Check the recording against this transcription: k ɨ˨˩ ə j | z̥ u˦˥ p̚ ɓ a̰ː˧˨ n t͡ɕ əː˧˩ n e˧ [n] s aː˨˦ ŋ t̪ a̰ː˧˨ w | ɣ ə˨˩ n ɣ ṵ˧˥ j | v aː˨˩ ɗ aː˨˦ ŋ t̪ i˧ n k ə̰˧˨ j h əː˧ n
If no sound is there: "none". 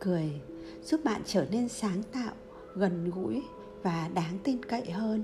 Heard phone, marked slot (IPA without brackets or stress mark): n